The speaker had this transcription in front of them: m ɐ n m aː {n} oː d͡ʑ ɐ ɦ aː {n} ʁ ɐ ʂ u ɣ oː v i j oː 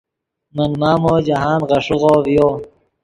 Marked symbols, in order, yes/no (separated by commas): no, yes